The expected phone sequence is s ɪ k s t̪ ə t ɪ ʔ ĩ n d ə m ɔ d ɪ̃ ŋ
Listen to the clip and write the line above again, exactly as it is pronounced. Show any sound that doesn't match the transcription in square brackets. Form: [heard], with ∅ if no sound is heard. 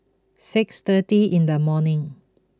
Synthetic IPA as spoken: s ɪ k s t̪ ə t [i] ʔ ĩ n d ə m ɔ [n] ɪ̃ ŋ

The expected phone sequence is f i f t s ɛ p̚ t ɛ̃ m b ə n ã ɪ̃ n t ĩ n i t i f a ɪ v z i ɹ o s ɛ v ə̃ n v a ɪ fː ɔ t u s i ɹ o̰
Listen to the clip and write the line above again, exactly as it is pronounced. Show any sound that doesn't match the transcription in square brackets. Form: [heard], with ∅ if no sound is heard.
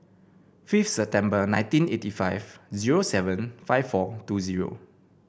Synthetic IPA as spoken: f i f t s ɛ p̚ t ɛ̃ m b ə n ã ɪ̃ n t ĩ n [e] t i f a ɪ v z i ɹ o s ɛ v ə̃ n [f] a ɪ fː ɔ t u [z] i ɹ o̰

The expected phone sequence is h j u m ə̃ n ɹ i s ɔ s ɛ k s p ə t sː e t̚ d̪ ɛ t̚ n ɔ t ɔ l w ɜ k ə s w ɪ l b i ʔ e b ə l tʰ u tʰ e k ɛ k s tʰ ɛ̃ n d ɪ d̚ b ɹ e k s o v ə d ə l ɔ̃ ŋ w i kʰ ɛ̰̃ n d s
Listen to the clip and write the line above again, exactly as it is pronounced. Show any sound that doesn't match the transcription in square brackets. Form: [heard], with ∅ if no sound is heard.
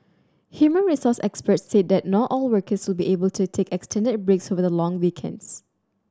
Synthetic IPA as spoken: h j u m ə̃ n ɹ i s ɔ s ɛ k s p ə t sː e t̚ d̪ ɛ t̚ n ɔ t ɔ l w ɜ k ə s w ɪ l b i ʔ e b ə l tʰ u tʰ e k ɛ k s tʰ ɛ̃ n d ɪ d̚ b ɹ e k s o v ə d ə l ɔ̃ ŋ w i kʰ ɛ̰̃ n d s

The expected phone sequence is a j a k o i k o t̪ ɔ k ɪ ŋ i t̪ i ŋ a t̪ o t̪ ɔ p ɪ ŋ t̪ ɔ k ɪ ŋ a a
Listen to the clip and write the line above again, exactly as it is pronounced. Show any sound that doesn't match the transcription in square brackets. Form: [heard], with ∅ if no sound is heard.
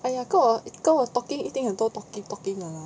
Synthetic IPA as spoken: a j a k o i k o t̪ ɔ k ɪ ŋ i t̪ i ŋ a t̪ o t̪ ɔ [k] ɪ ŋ t̪ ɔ k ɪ ŋ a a

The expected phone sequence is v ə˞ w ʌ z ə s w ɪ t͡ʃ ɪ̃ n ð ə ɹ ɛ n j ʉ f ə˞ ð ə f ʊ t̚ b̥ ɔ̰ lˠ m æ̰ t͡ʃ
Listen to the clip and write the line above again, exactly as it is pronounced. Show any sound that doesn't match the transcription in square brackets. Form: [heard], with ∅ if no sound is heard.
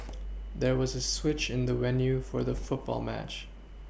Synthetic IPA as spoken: [ð] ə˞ w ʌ z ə s w ɪ t͡ʃ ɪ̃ n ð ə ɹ ɛ n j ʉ f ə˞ ð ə f ʊ t̚ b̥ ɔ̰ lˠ m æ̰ t͡ʃ

